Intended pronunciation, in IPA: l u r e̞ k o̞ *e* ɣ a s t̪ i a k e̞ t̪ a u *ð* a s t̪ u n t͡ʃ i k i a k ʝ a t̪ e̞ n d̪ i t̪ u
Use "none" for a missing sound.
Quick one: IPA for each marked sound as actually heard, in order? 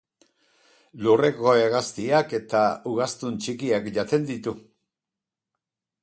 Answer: e, ɣ

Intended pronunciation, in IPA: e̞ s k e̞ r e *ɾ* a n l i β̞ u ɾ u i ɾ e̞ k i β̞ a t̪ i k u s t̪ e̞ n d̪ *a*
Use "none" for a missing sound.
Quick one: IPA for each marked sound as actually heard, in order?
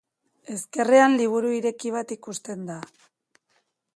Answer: none, a

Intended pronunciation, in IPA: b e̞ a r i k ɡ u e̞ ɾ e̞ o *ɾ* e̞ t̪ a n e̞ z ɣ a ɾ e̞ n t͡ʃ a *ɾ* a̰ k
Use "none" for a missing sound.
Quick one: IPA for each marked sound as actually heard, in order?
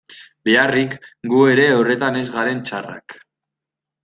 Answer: r, r

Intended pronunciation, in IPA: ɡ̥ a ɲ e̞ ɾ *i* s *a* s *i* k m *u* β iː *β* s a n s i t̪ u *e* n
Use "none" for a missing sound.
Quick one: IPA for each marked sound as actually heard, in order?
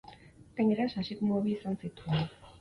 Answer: a, a, i, o, none, e

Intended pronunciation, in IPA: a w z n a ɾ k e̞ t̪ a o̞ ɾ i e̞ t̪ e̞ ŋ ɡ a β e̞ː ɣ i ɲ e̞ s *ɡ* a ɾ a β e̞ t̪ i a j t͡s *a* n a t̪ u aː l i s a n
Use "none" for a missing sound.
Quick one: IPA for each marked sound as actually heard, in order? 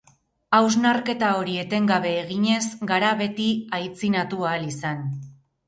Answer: ɡ, i

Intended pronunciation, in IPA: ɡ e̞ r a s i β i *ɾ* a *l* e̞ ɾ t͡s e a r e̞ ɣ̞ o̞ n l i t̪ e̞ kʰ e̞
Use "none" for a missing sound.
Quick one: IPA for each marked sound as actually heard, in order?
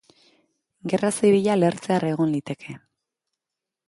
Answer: ʎ, l

